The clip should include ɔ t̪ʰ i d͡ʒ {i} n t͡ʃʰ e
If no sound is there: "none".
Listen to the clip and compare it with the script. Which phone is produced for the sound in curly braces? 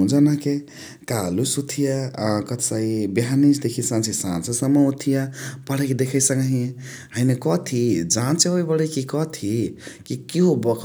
a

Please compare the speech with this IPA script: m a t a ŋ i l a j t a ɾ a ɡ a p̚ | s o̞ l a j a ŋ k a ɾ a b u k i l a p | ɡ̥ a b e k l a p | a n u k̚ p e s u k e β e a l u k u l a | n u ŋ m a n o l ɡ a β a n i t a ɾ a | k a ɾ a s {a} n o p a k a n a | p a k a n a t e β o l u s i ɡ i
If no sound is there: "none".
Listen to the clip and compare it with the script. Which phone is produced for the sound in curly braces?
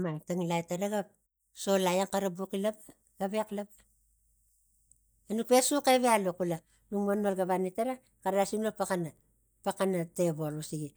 i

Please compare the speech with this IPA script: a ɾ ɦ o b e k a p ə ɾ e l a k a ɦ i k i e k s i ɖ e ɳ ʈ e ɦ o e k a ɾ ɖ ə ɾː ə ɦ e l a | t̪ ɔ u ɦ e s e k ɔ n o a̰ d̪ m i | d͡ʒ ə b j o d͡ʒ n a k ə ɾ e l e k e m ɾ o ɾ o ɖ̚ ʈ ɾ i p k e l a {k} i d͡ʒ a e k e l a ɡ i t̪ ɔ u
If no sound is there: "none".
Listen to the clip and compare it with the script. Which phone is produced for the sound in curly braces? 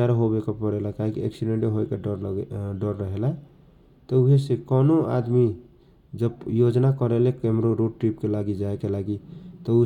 ɡ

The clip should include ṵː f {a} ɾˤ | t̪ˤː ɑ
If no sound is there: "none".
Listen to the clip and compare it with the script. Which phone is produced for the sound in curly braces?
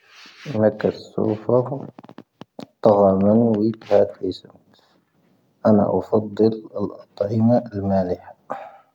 ɑ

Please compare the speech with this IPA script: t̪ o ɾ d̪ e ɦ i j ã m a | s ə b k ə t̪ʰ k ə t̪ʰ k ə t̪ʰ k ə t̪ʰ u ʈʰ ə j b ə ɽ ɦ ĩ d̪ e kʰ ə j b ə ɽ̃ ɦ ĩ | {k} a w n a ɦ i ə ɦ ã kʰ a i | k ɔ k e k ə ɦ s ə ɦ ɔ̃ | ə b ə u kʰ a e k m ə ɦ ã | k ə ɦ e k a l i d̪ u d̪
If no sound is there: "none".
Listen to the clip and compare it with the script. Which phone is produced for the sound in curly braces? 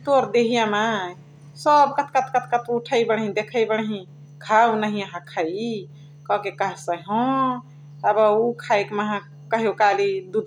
kʰ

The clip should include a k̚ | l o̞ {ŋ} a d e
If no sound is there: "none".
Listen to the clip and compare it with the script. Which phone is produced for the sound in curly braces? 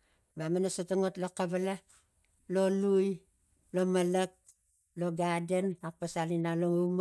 ɡ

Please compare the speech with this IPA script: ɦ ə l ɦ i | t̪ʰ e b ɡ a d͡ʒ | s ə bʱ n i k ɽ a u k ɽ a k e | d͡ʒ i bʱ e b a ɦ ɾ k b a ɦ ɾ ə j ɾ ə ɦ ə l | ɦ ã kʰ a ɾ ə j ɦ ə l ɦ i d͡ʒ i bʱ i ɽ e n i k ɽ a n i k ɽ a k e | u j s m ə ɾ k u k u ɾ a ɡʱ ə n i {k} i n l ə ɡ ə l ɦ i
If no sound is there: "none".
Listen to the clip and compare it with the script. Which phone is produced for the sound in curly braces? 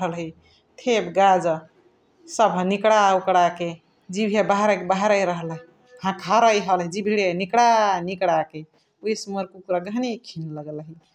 kʰ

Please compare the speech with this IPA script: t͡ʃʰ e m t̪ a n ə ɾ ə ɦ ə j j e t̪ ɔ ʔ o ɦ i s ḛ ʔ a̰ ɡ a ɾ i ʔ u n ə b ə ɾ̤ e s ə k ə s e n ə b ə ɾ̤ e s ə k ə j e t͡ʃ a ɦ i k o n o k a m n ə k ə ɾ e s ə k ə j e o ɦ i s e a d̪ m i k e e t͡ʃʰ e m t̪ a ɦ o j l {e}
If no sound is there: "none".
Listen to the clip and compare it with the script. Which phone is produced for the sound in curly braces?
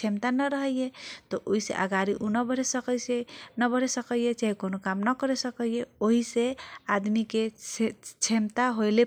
e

